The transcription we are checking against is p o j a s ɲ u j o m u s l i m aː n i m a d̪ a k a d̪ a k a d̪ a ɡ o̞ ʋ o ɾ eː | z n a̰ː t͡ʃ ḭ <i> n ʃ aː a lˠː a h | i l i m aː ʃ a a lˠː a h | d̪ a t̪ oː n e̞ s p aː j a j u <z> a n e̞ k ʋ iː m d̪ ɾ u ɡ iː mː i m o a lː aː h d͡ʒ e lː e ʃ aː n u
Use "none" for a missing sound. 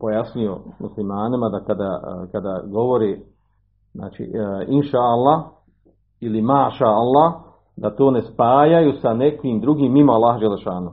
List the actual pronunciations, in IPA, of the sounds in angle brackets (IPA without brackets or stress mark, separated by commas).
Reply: i, s